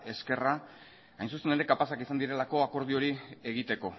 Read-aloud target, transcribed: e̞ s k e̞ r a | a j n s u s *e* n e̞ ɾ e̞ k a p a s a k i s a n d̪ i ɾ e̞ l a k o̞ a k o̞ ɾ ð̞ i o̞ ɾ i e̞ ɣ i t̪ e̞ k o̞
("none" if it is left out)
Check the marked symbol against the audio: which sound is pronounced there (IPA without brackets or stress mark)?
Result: e